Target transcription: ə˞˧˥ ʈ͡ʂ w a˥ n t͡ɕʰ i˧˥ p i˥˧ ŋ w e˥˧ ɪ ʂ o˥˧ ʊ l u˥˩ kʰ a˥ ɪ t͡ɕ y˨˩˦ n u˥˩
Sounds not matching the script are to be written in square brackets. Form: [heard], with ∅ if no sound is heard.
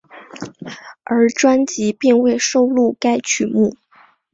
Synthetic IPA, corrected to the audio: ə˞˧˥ ʈ͡ʂ w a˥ n [t͡ɕ] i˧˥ p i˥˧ ŋ w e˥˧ ɪ ʂ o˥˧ ʊ l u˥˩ [k] a˥ ɪ [t͡ɕʰ] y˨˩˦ [m] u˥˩